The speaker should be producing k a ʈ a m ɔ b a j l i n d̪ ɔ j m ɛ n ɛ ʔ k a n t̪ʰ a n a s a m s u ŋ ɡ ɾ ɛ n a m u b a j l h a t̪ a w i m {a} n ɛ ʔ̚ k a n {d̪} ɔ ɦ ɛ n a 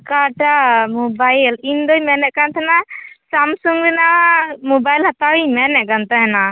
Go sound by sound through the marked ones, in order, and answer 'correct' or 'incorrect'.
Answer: incorrect, incorrect

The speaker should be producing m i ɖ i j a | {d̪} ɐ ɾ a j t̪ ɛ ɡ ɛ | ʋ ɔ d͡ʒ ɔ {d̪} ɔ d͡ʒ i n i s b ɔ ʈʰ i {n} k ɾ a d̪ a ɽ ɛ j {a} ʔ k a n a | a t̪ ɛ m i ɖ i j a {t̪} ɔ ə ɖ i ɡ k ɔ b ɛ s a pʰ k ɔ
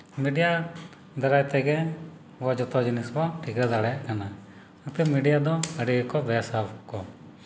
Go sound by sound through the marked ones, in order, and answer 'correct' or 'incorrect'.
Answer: correct, incorrect, incorrect, correct, incorrect

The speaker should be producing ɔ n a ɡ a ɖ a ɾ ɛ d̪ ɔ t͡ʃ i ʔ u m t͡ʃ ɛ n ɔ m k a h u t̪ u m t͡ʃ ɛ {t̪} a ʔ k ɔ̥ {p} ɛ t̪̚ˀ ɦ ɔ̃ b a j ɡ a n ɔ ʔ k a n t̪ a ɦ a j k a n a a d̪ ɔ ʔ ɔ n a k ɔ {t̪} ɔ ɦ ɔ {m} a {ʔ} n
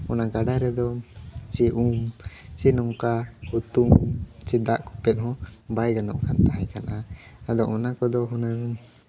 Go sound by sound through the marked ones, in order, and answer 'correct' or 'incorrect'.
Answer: incorrect, correct, incorrect, incorrect, incorrect

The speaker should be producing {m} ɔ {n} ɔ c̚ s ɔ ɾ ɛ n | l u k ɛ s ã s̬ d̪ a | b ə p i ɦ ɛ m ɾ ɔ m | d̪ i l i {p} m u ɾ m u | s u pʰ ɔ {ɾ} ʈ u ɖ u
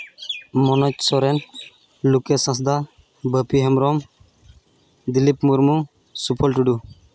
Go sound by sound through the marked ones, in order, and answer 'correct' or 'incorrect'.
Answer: correct, correct, correct, incorrect

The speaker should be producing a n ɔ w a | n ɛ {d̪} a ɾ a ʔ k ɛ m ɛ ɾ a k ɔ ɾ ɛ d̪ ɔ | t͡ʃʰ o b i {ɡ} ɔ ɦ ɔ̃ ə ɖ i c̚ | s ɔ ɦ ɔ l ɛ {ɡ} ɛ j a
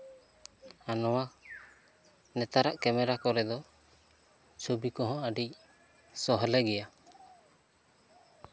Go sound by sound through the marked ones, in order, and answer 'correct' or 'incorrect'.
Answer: incorrect, incorrect, correct

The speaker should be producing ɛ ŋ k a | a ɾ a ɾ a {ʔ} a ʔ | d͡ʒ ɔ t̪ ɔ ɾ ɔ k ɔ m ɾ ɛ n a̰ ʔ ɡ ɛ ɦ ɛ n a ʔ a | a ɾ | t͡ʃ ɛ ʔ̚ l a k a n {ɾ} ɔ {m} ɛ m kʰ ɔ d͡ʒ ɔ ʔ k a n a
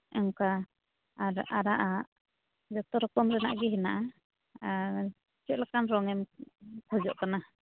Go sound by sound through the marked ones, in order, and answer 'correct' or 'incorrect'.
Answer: correct, correct, incorrect

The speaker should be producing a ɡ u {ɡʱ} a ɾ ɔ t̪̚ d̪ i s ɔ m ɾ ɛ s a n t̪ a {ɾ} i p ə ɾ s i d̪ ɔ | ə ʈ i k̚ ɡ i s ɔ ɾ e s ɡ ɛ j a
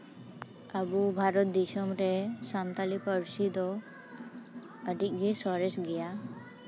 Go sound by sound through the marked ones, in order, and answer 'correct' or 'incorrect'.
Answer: incorrect, incorrect

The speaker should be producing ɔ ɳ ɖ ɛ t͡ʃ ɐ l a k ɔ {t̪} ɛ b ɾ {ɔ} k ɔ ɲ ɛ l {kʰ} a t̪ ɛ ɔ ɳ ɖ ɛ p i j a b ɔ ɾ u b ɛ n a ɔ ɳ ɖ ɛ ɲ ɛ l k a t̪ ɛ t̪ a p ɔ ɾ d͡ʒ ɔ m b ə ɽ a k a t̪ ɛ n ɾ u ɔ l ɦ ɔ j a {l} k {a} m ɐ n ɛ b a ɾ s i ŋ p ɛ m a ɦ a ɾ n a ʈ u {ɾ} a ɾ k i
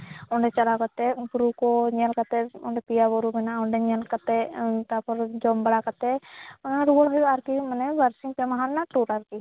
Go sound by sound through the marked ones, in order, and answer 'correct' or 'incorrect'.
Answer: correct, incorrect, incorrect, incorrect, incorrect, correct

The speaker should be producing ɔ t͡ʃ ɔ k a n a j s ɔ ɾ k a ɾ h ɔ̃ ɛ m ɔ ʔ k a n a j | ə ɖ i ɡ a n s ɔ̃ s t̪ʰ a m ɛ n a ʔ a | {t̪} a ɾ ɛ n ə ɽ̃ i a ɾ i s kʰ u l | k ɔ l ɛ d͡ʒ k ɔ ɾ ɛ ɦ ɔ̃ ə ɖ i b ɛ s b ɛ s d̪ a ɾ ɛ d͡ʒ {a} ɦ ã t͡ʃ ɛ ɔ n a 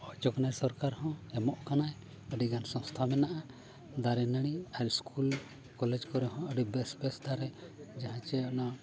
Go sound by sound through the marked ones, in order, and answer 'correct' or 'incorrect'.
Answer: incorrect, correct

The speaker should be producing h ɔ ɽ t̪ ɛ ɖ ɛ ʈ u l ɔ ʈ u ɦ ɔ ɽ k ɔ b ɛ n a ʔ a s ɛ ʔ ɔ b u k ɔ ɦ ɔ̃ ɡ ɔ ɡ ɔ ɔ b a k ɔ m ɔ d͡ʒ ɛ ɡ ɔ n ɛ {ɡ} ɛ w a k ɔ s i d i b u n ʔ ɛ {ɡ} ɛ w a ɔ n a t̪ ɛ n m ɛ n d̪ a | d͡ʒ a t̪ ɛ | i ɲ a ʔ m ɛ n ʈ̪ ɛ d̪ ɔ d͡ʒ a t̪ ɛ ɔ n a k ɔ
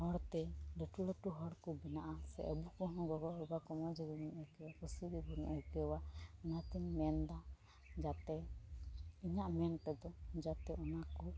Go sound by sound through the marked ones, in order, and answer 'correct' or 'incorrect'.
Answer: incorrect, incorrect

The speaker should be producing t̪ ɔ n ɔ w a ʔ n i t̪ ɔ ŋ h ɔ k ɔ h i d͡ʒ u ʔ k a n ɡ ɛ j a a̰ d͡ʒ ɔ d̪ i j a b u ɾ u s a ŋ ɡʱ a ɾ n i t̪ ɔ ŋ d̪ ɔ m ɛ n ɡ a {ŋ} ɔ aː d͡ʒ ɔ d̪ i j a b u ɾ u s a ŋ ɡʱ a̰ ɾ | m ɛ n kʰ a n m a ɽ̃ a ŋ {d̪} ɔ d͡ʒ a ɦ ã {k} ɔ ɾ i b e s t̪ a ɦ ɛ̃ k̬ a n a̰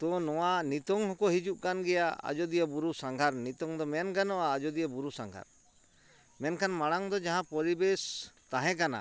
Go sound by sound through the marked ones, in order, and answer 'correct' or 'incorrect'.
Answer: incorrect, correct, incorrect

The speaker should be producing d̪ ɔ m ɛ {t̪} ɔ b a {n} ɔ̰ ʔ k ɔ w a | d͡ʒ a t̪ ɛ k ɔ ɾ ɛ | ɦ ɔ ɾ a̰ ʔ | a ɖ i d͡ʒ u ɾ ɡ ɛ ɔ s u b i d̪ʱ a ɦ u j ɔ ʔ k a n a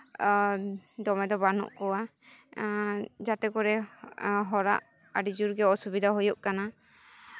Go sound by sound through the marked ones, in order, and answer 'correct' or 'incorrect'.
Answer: incorrect, correct

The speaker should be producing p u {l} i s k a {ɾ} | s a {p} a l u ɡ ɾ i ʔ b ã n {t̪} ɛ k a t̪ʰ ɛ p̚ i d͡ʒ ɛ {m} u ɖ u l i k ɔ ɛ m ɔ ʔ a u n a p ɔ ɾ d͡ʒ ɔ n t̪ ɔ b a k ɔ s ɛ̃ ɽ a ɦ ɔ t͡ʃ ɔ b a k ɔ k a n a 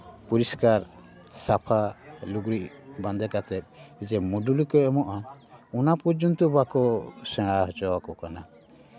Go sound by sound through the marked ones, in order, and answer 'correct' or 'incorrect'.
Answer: incorrect, correct, incorrect, incorrect, correct

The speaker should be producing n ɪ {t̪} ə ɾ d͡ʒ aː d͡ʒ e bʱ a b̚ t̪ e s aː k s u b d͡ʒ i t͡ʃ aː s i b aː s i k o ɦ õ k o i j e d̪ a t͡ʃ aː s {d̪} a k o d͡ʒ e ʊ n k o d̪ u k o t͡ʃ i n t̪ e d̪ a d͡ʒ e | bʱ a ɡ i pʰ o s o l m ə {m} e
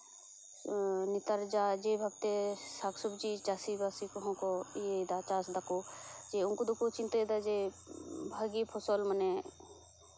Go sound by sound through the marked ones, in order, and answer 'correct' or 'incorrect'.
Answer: correct, correct, incorrect

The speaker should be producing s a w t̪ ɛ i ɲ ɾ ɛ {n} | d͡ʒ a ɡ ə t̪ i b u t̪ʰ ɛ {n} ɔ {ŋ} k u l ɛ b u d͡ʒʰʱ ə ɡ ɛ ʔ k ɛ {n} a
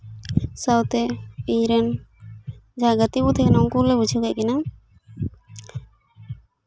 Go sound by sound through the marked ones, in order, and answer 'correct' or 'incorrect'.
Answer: correct, correct, correct, correct

